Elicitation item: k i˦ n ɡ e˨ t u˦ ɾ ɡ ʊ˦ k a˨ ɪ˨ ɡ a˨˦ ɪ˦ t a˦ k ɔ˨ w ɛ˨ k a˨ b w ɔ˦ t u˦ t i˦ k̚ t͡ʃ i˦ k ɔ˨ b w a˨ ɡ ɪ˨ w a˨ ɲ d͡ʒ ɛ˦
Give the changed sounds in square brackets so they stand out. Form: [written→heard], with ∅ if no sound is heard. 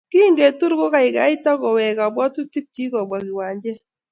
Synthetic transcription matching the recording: k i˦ [n→ŋ] ɡ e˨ t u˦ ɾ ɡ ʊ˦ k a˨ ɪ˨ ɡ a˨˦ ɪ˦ t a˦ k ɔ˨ w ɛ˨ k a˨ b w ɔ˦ t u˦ t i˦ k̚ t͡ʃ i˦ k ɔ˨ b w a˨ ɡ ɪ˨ w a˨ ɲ d͡ʒ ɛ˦